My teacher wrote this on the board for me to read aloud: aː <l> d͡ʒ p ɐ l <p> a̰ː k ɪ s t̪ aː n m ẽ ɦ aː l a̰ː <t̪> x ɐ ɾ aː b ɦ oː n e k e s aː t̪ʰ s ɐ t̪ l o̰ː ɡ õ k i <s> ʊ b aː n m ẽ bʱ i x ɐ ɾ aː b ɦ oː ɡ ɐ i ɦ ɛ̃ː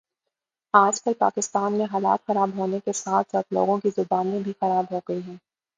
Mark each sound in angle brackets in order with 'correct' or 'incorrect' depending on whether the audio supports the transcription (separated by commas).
incorrect, correct, correct, incorrect